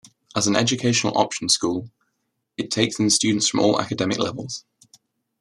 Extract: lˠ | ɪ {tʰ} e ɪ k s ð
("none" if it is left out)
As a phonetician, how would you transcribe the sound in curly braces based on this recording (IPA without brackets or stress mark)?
tʰ